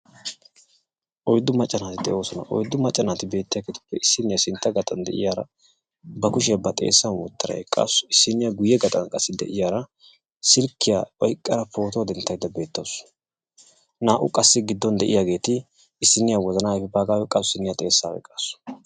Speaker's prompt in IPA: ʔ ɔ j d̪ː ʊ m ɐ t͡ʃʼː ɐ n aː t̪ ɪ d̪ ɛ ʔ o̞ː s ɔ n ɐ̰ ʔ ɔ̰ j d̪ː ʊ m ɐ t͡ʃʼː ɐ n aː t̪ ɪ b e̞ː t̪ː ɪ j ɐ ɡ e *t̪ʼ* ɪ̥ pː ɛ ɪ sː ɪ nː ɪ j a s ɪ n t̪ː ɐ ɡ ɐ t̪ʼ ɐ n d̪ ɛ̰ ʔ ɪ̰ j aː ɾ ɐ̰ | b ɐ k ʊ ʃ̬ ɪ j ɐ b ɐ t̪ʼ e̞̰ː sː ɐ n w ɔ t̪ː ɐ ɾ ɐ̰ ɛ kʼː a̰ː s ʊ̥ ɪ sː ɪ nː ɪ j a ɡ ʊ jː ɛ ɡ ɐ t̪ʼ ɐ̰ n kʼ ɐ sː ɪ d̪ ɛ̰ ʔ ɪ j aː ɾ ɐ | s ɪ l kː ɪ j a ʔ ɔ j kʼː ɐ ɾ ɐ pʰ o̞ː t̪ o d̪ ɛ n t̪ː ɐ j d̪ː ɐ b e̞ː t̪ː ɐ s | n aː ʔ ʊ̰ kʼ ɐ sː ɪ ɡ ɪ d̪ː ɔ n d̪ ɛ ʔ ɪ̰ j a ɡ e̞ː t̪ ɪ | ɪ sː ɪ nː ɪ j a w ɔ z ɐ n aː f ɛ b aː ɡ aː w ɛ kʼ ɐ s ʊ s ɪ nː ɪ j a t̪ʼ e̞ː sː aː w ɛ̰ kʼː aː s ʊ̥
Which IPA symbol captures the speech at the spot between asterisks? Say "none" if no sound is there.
t̪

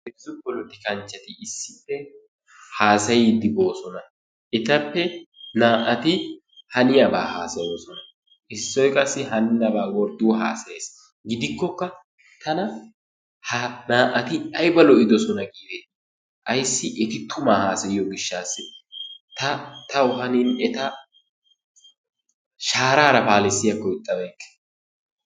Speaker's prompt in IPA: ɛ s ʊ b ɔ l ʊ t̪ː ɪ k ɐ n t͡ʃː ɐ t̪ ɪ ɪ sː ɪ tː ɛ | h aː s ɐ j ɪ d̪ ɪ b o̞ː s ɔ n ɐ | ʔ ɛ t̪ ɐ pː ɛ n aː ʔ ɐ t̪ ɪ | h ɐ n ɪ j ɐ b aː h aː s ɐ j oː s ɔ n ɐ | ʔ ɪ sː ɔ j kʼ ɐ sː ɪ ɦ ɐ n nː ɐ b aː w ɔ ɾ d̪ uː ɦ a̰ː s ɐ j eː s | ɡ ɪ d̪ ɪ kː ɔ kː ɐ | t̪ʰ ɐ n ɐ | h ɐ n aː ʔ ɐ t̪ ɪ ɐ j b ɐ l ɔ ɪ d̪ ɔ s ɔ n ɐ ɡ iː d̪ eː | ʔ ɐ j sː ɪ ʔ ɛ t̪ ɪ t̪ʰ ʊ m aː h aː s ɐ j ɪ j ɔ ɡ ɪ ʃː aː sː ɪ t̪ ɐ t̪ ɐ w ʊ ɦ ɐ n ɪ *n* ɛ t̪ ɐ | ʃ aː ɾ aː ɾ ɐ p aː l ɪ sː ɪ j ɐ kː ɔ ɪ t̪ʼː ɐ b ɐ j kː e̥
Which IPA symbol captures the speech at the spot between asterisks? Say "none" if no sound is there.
n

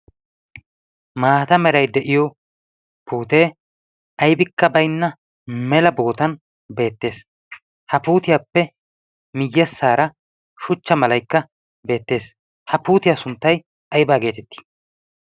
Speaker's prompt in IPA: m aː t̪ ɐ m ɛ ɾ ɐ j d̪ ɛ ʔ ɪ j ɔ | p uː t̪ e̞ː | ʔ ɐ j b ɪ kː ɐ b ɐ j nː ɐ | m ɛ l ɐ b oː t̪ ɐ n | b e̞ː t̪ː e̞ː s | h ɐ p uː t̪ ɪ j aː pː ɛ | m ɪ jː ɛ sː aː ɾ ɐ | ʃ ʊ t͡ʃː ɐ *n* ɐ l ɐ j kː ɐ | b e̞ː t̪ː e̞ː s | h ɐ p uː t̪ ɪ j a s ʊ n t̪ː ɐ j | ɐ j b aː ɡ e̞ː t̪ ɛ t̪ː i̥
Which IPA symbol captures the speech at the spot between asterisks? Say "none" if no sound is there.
m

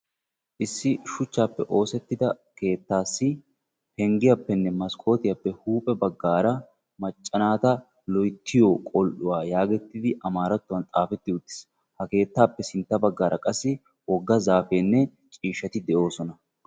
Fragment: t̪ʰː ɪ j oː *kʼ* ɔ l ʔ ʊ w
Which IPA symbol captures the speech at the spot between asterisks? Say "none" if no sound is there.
kʼ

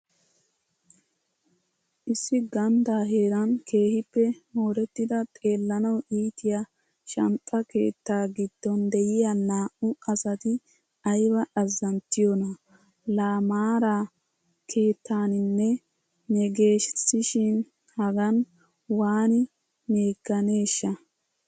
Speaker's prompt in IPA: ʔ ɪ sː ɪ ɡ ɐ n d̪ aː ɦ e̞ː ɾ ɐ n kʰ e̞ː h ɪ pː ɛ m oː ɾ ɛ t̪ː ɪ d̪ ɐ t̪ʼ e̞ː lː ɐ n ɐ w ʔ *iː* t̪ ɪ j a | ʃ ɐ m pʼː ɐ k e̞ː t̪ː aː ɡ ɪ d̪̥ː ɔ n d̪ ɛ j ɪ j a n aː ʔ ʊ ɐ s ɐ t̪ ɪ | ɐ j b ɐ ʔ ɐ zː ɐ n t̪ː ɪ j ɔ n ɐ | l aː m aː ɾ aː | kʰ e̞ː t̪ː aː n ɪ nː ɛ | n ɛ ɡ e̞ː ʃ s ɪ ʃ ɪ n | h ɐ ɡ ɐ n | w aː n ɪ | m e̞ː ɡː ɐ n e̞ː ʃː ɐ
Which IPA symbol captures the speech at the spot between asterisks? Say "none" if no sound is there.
iː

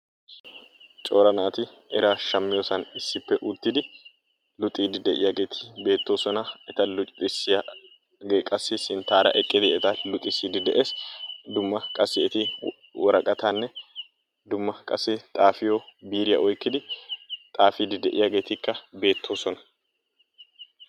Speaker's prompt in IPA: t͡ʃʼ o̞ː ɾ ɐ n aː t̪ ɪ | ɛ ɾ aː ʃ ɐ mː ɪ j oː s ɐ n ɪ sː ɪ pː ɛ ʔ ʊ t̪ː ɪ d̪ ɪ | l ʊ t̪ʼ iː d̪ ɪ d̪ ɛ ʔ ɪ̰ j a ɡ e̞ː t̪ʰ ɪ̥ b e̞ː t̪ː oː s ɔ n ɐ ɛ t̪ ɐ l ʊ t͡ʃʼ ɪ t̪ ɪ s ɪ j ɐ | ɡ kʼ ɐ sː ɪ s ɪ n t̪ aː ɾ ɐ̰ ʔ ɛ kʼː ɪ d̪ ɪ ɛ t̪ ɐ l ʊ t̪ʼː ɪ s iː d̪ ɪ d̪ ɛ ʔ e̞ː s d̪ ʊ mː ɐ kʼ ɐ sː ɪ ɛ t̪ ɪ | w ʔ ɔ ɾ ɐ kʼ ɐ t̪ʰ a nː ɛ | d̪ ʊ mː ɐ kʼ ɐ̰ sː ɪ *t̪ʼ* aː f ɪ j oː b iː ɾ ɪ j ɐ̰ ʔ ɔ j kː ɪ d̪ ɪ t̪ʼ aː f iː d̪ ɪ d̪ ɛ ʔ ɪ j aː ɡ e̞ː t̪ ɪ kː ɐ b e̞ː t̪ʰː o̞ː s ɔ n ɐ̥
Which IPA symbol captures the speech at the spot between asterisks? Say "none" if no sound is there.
t̪ʼ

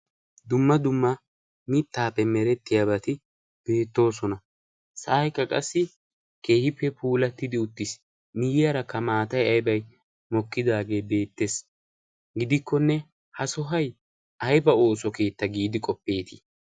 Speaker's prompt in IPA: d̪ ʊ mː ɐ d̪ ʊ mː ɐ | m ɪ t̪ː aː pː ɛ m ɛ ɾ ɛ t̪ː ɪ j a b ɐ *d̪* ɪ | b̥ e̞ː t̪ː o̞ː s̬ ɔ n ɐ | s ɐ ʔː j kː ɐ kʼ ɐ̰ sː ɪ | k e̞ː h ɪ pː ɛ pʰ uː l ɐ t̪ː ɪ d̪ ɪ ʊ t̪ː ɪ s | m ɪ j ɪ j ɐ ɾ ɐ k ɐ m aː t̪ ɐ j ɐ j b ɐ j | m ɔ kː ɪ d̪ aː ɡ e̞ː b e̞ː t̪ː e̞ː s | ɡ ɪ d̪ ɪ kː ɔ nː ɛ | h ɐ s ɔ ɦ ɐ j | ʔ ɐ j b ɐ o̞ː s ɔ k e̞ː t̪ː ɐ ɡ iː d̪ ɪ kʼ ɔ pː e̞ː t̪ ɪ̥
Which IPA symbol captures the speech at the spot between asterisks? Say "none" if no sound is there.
t̪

